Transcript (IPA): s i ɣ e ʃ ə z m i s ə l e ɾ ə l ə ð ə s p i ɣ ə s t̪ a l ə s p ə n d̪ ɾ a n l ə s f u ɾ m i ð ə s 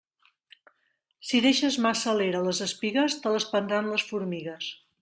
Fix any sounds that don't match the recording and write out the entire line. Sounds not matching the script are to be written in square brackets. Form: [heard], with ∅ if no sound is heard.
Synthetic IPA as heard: s i [ð] e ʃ ə z m [a] s ə l e ɾ ə l ə [z] ə s p i ɣ ə s t̪ [ə] l ə s p ə n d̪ ɾ a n l ə s f u ɾ m i [ɣ] ə s